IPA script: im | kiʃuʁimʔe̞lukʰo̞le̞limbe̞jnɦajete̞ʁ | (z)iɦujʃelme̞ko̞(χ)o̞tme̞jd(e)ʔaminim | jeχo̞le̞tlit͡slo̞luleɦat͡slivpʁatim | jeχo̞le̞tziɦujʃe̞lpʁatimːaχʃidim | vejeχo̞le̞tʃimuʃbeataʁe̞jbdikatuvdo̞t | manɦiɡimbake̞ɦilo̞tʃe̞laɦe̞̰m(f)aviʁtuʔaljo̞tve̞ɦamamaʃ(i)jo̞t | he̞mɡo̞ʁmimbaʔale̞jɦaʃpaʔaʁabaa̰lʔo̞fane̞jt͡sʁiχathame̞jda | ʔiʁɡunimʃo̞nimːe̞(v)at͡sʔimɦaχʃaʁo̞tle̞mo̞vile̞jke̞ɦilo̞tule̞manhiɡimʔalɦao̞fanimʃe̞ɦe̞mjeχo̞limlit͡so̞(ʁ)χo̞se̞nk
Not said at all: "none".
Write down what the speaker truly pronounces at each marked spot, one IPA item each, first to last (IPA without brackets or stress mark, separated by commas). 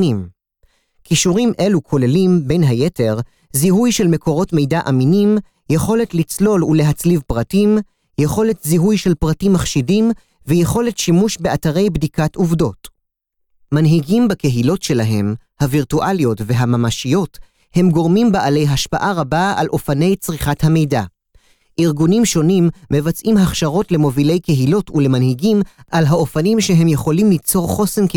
z, ʁ, a, h, i, v, ʁ